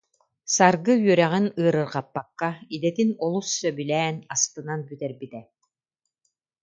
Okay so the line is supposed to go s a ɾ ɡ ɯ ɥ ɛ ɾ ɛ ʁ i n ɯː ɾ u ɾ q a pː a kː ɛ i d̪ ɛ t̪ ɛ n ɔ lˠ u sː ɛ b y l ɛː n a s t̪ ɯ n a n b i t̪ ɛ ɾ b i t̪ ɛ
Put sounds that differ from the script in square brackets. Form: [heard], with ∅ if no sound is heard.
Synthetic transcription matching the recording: s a ɾ ɡ ɯ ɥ [œ] ɾ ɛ ʁ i n ɯː ɾ [ɯ] ɾ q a pː a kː [a] i d̪ ɛ t̪ [i] n ɔ lˠ u sː [œ] b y l ɛː n a s t̪ ɯ n a n b [y] t̪ ɛ ɾ b i t̪ ɛ